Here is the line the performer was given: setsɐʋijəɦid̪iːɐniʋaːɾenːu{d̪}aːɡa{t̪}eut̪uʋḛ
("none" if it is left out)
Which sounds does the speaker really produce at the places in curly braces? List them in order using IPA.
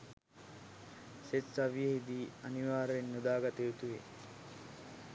d̪, t̪

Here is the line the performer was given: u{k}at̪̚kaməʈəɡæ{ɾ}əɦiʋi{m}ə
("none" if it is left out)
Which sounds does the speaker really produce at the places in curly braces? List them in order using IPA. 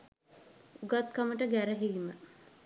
ɡ, ɾ, m

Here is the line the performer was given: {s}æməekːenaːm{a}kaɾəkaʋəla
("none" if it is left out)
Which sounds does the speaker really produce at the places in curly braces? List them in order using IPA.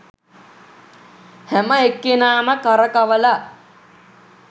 h, ə

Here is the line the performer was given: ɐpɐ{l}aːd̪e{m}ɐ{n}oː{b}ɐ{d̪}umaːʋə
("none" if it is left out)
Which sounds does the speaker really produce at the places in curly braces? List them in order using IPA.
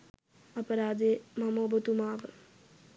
ɾ, m, m, b, t̪

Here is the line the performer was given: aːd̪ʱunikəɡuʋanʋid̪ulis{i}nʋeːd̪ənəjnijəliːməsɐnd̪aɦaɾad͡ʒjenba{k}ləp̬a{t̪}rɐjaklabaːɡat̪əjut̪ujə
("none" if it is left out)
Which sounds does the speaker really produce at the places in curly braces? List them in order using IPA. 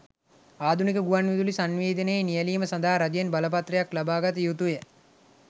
a, none, t̪

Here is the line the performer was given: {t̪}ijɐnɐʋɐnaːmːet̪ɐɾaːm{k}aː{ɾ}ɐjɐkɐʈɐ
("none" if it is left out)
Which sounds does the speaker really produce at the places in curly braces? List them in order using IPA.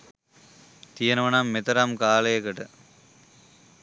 t̪, k, l

